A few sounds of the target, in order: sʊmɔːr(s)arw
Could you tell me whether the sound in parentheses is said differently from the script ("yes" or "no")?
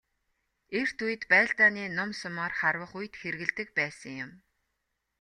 yes